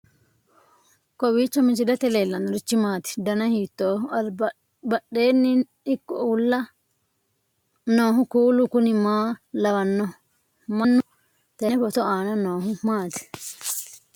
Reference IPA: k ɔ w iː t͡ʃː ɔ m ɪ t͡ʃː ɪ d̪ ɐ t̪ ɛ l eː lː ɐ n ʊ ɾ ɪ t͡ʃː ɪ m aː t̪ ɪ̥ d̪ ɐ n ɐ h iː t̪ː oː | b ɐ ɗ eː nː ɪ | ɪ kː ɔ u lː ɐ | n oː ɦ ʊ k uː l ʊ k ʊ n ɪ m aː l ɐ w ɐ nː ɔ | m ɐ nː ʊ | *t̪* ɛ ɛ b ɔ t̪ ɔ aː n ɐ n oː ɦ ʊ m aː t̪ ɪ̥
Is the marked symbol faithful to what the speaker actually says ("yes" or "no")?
yes